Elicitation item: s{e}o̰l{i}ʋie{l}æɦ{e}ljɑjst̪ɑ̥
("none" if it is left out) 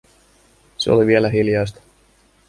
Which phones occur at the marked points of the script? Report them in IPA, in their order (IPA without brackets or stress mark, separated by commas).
e, i, l, i